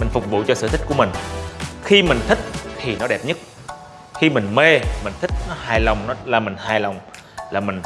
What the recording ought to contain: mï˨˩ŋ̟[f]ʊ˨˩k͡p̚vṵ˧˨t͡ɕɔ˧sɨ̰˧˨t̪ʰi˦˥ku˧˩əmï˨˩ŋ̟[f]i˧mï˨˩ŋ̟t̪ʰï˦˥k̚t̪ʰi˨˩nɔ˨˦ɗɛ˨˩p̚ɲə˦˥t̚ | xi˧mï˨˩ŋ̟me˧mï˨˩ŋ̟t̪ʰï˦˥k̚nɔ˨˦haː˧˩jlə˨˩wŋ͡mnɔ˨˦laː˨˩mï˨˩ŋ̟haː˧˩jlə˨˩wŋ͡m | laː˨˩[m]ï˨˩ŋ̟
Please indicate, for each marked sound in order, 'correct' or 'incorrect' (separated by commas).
correct, incorrect, correct